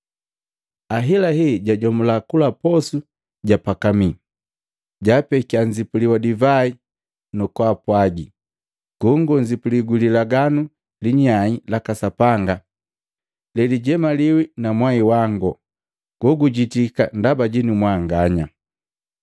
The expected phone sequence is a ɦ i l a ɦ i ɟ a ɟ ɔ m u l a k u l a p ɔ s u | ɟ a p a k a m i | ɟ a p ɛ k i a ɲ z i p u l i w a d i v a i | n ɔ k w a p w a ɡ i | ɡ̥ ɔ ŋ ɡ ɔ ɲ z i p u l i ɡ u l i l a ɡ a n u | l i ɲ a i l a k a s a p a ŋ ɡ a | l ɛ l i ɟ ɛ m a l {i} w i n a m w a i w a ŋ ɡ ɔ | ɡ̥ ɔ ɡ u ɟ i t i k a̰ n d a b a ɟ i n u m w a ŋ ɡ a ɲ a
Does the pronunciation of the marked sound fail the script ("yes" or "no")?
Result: no